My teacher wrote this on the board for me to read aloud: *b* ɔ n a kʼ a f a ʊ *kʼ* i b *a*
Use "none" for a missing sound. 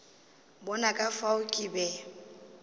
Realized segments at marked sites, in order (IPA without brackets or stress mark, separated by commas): b, kʼ, ɛ